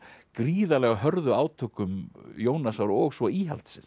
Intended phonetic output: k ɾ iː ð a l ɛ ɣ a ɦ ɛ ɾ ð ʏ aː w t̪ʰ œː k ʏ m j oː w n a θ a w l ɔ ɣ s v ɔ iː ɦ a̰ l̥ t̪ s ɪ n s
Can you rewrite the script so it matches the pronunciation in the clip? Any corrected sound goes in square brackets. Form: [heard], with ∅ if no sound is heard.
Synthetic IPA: k ɾ iː ð a l ɛ ɣ a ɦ [œ] ɾ ð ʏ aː w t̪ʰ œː k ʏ m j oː w n a [s] a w [ɾ] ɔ ɣ s v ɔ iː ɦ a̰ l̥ t̪ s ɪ n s